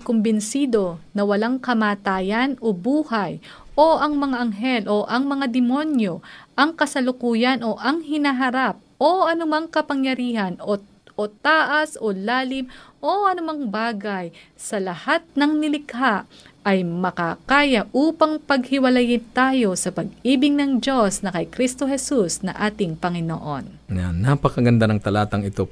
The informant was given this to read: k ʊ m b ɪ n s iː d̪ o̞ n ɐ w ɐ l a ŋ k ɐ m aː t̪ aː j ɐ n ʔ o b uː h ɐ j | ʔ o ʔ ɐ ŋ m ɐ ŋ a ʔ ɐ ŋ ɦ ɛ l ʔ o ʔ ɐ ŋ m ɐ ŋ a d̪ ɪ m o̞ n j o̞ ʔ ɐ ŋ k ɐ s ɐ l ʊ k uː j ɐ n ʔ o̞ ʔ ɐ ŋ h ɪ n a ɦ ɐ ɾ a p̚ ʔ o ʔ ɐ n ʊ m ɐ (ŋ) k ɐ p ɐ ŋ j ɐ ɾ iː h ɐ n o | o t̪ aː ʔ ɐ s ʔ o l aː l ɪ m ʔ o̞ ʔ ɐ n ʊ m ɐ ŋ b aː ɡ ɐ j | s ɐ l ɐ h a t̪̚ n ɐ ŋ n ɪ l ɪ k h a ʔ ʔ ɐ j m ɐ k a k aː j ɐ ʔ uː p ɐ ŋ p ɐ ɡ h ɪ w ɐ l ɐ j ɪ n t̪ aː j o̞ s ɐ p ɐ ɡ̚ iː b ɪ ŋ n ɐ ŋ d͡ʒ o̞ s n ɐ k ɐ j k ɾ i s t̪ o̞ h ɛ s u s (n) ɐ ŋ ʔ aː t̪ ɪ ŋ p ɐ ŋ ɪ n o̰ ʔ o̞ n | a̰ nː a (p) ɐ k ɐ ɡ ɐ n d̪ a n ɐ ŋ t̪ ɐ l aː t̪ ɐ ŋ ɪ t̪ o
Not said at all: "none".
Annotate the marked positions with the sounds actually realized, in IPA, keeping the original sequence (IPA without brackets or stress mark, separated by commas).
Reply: ŋ, n, p